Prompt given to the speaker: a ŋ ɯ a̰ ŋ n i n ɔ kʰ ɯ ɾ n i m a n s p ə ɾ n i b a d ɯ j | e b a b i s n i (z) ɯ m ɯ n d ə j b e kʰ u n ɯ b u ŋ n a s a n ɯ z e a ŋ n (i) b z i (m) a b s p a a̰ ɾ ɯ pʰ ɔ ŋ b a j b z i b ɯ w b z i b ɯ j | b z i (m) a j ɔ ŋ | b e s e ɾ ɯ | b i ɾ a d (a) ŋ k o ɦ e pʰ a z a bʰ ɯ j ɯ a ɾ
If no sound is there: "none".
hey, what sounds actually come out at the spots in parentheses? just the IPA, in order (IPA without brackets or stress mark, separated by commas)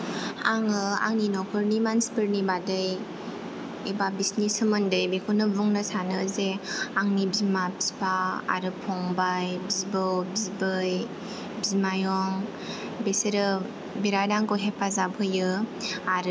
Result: s, i, m, m, a